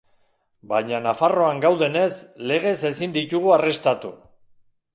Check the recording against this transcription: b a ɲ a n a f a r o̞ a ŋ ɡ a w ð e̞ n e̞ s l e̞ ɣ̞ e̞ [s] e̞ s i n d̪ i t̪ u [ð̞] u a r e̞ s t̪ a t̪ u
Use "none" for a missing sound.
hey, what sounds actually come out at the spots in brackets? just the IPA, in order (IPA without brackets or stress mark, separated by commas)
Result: s, ɣ̞